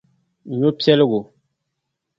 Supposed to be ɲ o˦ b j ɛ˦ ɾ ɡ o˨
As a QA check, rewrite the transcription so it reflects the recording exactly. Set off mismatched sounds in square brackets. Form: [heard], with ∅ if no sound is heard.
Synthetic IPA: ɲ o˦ [p] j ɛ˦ [l] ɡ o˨